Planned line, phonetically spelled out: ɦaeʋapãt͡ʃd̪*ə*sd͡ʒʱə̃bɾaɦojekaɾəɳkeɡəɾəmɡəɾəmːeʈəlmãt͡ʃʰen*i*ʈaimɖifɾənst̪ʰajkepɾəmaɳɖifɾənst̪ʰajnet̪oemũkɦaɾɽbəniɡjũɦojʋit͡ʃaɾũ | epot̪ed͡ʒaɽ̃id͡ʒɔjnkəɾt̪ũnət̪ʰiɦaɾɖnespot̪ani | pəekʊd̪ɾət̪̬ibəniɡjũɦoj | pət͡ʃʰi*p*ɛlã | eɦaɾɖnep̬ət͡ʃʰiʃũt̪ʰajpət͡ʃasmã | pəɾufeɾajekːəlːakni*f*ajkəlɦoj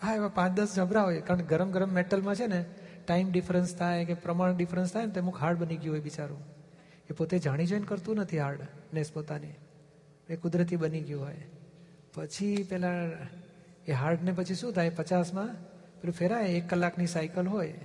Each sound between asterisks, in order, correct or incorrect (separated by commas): correct, incorrect, correct, incorrect